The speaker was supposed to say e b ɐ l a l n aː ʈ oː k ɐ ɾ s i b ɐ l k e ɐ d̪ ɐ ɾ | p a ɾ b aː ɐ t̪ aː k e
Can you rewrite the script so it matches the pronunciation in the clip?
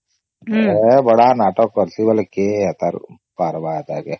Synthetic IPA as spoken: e b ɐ ɽ a n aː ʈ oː k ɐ ɾ s i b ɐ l k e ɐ t̪ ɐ ɾ | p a ɾ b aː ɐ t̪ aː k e